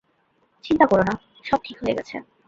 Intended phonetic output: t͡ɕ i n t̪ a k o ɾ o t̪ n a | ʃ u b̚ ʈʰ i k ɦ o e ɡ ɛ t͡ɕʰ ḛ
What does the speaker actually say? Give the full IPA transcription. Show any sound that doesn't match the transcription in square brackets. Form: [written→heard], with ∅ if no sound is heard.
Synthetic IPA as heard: t͡ɕ i n t̪ a k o ɾ o [t̪→∅] n a | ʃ [u→ɔ] b̚ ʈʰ i k ɦ o e ɡ ɛ t͡ɕʰ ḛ